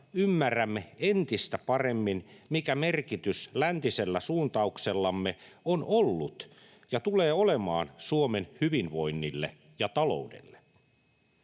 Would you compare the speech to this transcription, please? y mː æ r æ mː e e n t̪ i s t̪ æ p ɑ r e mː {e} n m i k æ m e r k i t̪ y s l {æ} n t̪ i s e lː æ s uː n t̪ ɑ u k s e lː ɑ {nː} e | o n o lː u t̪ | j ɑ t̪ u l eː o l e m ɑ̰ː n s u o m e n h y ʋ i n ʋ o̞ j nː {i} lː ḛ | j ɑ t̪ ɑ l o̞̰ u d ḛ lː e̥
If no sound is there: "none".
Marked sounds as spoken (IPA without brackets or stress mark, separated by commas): i, æ, mː, i